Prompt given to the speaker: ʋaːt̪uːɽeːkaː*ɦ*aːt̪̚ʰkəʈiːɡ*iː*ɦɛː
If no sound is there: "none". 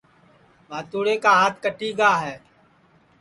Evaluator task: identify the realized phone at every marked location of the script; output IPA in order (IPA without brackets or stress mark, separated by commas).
ɦ, aː